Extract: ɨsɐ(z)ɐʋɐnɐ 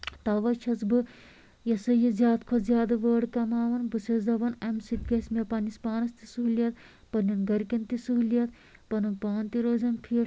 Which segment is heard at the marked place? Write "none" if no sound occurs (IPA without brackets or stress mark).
z